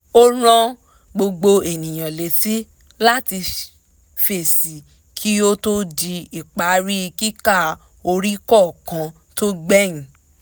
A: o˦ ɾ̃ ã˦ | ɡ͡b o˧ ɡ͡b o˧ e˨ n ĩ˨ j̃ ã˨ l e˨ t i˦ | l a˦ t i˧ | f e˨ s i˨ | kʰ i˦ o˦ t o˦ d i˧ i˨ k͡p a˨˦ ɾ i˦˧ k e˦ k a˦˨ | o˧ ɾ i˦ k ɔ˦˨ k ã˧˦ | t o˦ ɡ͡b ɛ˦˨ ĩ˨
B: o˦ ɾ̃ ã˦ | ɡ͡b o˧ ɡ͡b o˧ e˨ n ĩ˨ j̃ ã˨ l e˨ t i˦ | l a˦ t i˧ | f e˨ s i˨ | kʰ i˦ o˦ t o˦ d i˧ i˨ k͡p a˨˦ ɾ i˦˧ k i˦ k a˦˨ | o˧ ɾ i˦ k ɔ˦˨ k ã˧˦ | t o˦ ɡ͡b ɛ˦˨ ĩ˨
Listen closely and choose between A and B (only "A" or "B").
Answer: B